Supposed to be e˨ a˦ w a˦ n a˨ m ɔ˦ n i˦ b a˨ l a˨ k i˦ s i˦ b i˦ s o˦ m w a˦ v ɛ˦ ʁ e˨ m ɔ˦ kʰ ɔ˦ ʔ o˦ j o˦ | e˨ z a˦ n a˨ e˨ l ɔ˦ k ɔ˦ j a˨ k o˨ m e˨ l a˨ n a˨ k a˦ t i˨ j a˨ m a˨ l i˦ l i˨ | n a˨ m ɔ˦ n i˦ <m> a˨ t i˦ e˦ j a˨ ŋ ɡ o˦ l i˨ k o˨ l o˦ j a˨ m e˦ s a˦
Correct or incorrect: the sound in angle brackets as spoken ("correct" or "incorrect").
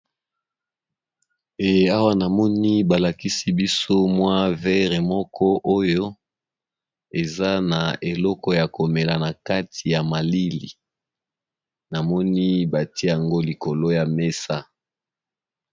incorrect